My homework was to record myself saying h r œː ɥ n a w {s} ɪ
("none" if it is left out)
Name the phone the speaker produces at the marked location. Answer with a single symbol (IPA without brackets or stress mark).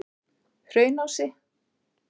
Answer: s